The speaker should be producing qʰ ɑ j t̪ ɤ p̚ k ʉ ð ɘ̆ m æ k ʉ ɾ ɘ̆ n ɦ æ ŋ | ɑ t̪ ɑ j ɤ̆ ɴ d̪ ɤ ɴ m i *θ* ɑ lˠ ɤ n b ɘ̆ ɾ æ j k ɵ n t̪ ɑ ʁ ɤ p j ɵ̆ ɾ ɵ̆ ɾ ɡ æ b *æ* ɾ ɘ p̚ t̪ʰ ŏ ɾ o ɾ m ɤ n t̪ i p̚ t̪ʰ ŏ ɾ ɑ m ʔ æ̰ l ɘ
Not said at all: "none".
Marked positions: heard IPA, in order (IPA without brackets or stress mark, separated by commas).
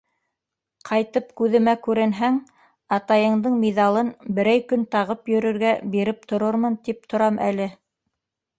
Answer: ð, i